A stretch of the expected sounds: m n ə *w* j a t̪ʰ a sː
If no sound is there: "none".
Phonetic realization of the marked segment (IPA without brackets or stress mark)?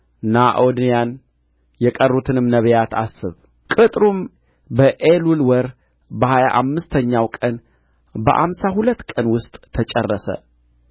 β